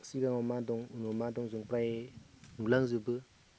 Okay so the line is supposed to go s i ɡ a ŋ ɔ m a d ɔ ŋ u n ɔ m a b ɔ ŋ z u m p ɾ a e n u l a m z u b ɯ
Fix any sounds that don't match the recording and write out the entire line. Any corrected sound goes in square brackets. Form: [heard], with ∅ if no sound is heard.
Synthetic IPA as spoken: s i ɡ a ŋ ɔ m a d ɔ ŋ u n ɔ m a [d] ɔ ŋ z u [ŋ] p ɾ a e n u l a [ŋ] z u b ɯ